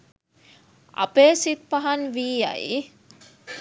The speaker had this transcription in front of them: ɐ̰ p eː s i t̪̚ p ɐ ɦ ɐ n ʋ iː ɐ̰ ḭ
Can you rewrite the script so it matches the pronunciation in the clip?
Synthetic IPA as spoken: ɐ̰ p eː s i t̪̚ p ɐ ɦ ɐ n ʋ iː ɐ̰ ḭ